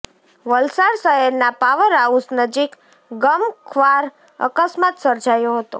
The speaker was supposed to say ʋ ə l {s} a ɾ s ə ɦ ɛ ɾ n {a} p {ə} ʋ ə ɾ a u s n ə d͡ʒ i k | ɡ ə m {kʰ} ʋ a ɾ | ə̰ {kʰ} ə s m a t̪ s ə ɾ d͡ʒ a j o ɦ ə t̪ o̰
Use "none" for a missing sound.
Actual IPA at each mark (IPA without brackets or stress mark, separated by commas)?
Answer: s, a, a, kʰ, k